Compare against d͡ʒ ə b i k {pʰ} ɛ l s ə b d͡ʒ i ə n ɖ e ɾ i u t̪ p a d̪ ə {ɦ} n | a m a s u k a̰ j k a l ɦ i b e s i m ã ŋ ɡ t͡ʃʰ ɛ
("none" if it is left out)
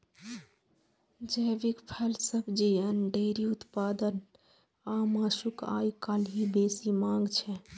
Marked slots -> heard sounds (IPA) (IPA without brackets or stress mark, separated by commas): pʰ, none